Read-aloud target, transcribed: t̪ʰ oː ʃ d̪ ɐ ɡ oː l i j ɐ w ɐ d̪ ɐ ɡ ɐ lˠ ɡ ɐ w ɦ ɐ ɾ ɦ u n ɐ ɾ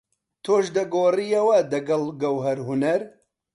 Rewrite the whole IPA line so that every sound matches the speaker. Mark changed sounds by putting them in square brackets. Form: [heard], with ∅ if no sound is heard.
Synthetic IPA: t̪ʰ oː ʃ d̪ ɐ ɡ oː [r] i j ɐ w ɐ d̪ ɐ ɡ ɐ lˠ ɡ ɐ w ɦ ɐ ɾ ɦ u n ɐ ɾ